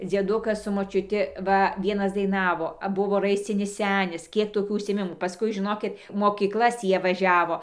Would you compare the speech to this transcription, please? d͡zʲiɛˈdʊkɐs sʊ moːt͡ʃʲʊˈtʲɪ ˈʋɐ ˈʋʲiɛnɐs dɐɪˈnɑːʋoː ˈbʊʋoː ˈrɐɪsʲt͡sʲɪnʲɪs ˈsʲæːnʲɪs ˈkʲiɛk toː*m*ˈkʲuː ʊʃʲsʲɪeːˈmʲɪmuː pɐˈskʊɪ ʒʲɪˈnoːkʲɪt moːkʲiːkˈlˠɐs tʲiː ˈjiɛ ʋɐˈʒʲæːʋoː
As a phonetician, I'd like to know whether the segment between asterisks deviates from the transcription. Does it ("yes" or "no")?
yes